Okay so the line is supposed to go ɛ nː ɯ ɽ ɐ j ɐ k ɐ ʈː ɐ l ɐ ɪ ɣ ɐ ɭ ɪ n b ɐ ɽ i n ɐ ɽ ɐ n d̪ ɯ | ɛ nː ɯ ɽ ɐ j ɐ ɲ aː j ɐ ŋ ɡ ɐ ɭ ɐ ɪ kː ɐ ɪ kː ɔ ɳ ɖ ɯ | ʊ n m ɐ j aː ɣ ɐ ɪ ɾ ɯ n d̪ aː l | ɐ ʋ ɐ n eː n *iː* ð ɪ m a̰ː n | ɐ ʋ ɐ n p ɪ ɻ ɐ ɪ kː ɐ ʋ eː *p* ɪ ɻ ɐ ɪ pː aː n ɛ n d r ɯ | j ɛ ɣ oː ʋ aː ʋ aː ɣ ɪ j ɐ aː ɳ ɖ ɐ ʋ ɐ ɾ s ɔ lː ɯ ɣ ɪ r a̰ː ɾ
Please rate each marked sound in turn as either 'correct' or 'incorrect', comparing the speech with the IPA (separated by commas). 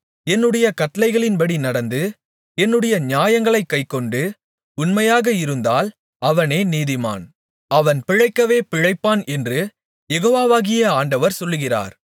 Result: correct, correct